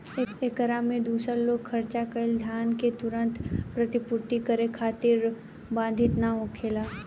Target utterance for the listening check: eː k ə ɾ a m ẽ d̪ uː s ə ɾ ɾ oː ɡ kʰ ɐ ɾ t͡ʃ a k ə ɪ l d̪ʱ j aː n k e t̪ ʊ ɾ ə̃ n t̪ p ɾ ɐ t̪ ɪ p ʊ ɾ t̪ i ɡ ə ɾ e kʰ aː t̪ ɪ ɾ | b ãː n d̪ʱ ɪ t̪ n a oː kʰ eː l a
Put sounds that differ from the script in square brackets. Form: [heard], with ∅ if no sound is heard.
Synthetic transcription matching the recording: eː k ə ɾ a m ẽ d̪ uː s ə ɾ [l] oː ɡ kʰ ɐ ɾ t͡ʃ a k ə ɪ l d̪ʱ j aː n k e t̪ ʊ ɾ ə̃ n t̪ p ɾ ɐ t̪ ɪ p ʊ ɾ t̪ i [k] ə ɾ e kʰ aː t̪ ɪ ɾ | b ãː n d̪ʱ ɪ t̪ n a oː kʰ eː l a

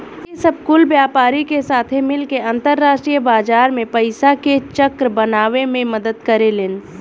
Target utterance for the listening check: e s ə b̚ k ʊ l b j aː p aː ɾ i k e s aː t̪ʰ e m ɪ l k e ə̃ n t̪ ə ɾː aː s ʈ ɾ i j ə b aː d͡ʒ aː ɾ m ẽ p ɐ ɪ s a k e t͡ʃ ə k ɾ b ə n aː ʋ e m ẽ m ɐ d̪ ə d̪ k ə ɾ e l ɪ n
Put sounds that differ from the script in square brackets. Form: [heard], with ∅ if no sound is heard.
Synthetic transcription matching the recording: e s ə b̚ k ʊ l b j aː p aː ɾ i k e s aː t̪ʰ e m ɪ l k e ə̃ n t̪ ə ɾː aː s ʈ ɾ i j ə b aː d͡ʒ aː ɾ m ẽ p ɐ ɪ s a k e t͡ʃ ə k ɾ b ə n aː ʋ e m ẽ m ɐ d̪ ə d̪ k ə ɾ e l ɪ n

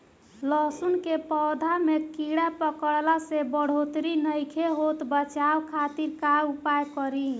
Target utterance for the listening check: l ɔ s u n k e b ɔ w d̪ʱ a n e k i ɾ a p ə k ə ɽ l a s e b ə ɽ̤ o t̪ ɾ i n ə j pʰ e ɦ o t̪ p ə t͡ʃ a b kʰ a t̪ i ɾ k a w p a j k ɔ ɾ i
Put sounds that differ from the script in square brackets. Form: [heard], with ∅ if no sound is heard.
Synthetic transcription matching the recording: l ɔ s u n k e [p] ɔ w d̪ʱ a [m] e k i [ɽ] a p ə k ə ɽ l a s e b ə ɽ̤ o t̪ ɾ i n ə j [kʰ] e ɦ o t̪ [b] ə t͡ʃ a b kʰ a t̪ i ɾ k a [u] p a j k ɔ ɾ i

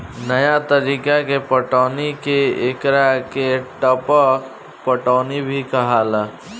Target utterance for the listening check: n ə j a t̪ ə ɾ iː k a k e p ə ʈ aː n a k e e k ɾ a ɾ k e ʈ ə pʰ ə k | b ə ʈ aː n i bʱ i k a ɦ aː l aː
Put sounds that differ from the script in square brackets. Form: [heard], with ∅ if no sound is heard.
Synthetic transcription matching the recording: n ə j a t̪ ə ɾ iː k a k e p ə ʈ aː n [i] k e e k ɾ a [∅] k e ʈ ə [p] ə k | [p] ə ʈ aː n i bʱ i k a ɦ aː l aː

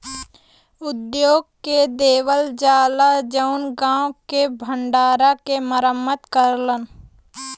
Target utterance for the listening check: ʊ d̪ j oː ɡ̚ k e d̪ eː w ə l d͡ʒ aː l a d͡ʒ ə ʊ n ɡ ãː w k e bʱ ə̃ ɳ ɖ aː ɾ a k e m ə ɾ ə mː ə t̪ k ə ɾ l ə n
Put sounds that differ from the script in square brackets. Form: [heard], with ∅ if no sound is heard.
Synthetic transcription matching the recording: ʊ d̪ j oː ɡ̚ k e d̪ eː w ə l d͡ʒ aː l a d͡ʒ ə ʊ n ɡ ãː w k e bʱ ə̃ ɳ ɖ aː ɾ a k e m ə ɾ ə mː ə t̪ k ə ɾ l ə n

